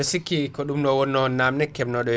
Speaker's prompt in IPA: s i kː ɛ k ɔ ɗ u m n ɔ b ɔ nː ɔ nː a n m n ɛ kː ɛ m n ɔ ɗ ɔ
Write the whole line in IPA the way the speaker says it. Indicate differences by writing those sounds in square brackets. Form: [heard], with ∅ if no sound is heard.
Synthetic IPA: s i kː [i] k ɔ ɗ u m n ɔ [w] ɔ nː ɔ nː a [∅] m n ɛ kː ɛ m n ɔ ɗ ɔ